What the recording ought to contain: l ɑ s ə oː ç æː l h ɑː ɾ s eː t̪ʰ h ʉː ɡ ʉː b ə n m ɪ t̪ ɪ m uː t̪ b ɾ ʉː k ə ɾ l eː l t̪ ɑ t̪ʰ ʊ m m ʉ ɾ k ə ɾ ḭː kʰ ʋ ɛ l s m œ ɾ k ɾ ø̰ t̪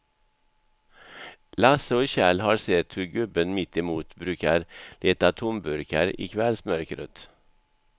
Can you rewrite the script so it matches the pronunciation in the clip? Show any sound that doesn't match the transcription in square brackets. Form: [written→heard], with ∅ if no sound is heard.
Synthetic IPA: l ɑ s ə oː ç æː l h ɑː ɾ s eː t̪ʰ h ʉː ɡ [ʉː→ʉ] b ə n m ɪ t̪ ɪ m uː t̪ b ɾ ʉː k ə ɾ l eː [l→∅] t̪ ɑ t̪ʰ ʊ m [m→b] ʉ ɾ k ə ɾ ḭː kʰ ʋ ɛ l s m œ ɾ k ɾ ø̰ t̪